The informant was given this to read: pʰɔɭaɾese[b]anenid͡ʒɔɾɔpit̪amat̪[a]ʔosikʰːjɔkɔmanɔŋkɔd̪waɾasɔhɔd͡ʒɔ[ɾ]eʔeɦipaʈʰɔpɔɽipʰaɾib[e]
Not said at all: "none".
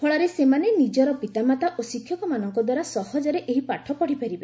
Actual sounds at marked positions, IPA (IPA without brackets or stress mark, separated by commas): m, a, ɾ, e